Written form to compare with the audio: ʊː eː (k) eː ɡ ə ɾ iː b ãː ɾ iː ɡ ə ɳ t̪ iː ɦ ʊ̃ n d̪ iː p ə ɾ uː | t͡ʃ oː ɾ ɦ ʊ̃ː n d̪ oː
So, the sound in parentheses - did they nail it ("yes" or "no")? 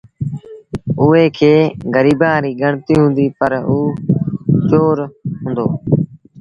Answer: no